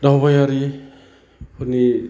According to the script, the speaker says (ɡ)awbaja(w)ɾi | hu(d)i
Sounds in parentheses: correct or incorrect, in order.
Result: incorrect: d, incorrect: none, incorrect: n

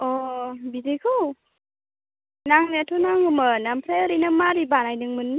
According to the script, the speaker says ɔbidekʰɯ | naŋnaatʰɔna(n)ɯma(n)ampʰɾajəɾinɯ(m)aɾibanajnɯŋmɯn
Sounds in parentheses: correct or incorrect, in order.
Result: incorrect: ŋ, correct, correct

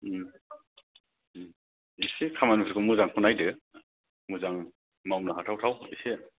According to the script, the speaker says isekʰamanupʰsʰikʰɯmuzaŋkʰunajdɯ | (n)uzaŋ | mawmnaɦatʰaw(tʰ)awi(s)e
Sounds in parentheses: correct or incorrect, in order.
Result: incorrect: m, correct, correct

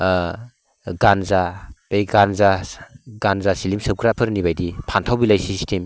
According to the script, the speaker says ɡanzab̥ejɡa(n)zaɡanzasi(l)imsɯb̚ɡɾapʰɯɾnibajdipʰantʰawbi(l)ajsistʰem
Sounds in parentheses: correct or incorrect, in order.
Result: correct, correct, correct

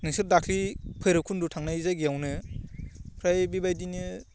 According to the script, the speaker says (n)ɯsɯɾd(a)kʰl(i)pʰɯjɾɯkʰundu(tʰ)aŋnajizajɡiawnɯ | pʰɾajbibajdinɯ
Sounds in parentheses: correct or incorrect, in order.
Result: correct, correct, correct, correct

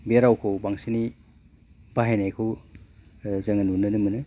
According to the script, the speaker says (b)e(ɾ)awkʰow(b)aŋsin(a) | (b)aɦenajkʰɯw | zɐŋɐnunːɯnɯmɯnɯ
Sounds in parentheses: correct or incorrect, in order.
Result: correct, correct, correct, incorrect: i, correct

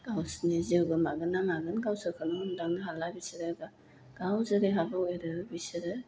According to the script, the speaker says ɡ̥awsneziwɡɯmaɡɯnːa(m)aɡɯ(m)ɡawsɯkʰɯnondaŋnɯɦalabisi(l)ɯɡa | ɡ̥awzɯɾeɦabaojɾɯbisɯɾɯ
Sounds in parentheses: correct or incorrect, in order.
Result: incorrect: ŋ, incorrect: n, incorrect: ɾ

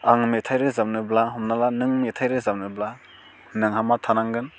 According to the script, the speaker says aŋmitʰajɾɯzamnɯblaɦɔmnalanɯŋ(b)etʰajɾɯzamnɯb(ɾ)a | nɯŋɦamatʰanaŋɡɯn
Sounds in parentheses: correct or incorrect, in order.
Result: incorrect: m, incorrect: l

